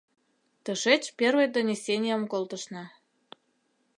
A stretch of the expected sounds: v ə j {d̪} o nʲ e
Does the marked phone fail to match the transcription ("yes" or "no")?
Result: no